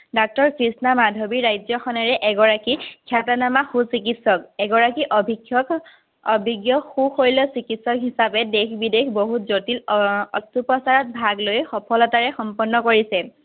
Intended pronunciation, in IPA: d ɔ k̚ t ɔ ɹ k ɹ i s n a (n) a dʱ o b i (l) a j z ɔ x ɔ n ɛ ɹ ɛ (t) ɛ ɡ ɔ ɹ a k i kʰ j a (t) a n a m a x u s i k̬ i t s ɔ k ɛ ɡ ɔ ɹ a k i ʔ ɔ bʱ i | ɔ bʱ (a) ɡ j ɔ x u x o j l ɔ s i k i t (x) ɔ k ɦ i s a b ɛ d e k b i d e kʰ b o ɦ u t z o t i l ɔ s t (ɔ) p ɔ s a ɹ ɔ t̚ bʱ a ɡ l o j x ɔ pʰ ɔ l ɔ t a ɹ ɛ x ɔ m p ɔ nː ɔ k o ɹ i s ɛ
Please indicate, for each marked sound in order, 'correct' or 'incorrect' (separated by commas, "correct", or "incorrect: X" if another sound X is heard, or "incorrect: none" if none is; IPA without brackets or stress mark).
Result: incorrect: m, incorrect: ɹ, incorrect: ʔ, correct, incorrect: i, incorrect: s, incorrect: u